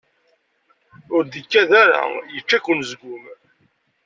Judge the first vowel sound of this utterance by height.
high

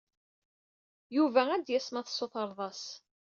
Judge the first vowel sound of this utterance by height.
high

